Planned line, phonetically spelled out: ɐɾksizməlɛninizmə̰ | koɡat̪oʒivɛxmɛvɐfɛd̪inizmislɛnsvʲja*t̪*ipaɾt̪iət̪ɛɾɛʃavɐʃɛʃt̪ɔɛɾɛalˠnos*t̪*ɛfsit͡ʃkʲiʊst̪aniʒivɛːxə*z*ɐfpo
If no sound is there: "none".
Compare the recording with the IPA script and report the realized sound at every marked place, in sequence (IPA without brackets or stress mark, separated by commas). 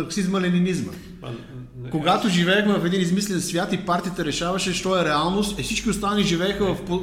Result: t̪, t̪, v